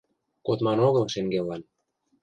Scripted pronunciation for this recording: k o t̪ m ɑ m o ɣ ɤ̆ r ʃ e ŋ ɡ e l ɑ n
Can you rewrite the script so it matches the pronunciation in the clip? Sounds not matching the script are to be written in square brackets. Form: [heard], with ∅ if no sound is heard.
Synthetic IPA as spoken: k o t̪ m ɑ [n] o ɣ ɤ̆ [l] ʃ e ŋ ɡ e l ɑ n